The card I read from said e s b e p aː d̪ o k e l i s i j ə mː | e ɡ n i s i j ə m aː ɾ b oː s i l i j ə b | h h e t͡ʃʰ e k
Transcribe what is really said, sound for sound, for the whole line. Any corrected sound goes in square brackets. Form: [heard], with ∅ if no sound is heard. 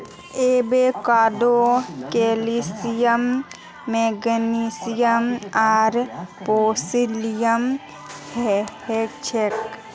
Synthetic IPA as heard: e [∅] b e [k] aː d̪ o k e l i s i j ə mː | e ɡ n i s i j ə m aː ɾ [p] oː s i l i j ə [m] | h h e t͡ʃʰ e k